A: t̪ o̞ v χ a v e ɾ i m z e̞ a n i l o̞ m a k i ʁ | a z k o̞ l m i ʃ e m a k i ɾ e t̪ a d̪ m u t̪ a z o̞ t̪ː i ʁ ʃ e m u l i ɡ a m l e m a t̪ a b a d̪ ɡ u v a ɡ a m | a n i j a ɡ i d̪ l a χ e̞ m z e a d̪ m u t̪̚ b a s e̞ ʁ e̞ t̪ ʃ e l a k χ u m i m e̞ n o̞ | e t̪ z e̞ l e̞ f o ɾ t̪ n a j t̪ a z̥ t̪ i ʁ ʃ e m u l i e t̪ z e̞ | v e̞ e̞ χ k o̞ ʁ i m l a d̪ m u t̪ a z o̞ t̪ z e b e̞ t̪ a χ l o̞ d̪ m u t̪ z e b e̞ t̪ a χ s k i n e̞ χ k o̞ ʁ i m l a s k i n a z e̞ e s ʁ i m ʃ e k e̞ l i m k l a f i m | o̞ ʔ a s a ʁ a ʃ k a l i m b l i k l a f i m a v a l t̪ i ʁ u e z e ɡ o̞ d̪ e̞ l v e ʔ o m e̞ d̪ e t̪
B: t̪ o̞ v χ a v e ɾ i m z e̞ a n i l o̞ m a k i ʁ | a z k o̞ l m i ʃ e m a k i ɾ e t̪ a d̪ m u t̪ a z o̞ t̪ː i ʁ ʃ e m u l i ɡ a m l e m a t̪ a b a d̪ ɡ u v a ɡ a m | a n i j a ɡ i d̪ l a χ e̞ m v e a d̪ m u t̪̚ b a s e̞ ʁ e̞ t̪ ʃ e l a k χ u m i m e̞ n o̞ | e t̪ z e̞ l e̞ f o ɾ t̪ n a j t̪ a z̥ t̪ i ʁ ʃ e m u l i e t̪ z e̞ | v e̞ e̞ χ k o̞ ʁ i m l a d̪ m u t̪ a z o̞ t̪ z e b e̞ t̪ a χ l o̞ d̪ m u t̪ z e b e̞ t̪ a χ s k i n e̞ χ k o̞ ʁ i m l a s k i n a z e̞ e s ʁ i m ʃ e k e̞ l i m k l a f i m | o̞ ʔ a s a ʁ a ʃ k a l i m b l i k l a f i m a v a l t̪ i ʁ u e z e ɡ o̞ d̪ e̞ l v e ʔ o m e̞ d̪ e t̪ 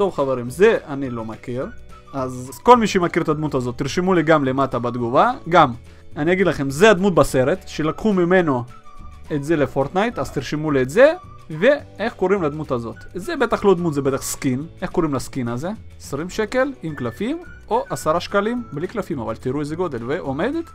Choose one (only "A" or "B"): A